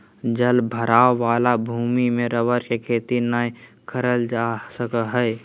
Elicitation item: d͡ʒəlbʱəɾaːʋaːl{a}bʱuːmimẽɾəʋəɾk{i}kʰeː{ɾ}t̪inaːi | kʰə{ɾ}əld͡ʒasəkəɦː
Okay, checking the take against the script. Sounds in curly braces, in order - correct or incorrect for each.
correct, incorrect: e, incorrect: none, correct

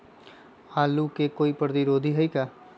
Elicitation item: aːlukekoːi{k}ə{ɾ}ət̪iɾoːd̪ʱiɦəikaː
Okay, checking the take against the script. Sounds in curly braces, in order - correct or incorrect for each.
incorrect: p, correct

